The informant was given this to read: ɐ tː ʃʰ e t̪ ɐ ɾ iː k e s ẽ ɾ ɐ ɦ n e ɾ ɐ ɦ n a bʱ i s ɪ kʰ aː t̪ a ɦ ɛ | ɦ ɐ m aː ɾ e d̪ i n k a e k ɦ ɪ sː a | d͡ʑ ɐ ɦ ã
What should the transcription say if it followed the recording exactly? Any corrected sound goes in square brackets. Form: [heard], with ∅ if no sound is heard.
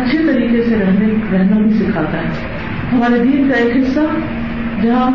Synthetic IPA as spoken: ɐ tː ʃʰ e t̪ ɐ ɾ iː k e s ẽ ɾ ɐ ɦ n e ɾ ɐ ɦ n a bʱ i s ɪ kʰ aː t̪ a ɦ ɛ | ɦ ɐ m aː ɾ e d̪ [iː] n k a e k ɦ ɪ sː a | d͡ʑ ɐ ɦ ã